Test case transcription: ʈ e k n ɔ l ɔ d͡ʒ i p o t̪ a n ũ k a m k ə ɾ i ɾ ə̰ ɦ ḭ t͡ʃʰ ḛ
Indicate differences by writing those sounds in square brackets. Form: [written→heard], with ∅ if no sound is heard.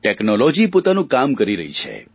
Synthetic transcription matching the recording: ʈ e k n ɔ l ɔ d͡ʒ i p o t̪ a n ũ k a m k ə ɾ i ɾ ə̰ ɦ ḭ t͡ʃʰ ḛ